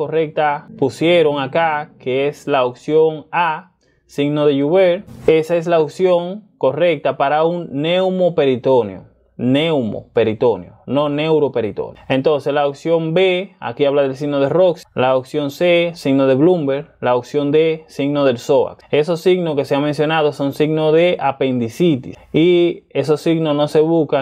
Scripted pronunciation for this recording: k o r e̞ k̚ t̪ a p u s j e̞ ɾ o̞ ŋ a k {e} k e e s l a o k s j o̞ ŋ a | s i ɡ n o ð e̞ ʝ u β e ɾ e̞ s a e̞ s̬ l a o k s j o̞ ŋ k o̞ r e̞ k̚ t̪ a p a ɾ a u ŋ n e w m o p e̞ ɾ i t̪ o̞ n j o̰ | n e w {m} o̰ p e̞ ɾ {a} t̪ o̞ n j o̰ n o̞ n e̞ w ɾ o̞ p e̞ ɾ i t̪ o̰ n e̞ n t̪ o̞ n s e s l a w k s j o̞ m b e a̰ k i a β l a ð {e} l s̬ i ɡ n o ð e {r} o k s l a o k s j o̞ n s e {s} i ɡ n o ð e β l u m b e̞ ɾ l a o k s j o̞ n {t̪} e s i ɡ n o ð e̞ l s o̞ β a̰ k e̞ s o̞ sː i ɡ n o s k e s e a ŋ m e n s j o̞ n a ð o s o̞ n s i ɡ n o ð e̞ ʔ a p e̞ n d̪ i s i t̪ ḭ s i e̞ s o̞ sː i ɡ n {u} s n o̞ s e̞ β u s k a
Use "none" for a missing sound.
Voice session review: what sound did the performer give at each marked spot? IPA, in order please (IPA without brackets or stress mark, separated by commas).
a, m, i, e, r, s, d̪, o